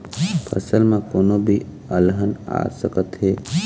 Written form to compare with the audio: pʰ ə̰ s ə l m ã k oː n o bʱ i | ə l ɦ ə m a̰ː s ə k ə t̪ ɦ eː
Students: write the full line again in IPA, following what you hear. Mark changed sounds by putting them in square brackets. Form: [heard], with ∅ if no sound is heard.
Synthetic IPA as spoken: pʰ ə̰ s ə l m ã k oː n o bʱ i | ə l ɦ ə [n] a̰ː s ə k ə t̪ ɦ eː